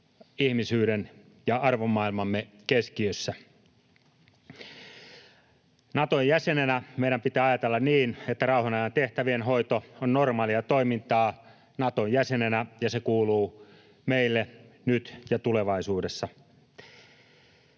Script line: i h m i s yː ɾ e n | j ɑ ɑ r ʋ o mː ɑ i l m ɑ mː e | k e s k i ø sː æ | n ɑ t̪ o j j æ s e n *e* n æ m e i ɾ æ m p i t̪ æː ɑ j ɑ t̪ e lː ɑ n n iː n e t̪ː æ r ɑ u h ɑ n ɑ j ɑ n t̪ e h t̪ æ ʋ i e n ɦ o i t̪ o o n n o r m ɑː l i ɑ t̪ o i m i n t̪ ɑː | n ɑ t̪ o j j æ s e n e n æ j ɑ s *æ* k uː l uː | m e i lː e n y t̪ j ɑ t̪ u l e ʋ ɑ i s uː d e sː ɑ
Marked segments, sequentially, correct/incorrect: correct, incorrect

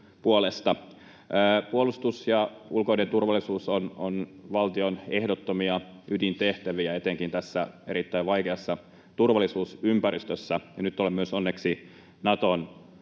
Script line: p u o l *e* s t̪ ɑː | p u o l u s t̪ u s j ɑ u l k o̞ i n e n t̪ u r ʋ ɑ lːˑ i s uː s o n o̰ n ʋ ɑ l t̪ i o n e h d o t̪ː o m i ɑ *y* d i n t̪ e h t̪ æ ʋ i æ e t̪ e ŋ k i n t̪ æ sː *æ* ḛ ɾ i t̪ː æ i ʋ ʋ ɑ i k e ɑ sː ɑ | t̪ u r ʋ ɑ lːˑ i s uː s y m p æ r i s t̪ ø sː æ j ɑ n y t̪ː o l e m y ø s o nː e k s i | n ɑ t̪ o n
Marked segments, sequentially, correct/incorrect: correct, correct, correct

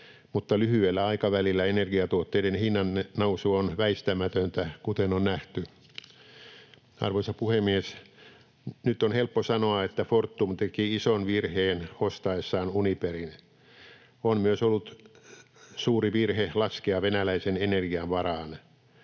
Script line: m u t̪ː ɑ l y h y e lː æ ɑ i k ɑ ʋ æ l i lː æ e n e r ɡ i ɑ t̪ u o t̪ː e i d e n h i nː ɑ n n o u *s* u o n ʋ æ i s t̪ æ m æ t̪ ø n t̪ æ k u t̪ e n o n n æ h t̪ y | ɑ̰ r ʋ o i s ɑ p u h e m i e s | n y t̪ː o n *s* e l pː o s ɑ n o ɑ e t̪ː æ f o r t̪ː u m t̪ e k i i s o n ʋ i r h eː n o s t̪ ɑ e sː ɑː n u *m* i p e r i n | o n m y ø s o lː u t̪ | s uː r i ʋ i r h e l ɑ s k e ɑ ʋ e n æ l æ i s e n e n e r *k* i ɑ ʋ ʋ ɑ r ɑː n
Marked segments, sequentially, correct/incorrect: correct, incorrect, incorrect, incorrect

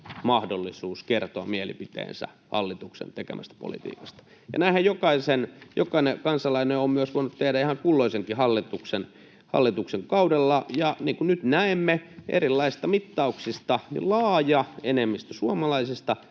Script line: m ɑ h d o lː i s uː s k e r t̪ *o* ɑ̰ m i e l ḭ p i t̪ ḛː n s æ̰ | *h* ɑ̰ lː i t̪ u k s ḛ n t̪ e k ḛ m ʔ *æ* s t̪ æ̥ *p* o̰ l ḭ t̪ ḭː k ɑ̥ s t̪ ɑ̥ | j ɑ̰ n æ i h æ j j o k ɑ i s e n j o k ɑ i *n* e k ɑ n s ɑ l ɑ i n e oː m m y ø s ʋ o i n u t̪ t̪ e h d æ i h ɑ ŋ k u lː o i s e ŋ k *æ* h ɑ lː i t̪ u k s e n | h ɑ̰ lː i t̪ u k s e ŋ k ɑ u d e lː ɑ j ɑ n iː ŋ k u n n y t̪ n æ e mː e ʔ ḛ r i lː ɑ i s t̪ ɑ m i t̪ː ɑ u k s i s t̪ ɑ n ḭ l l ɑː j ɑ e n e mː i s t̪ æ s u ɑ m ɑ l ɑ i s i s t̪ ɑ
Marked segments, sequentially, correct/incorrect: correct, correct, correct, correct, correct, incorrect

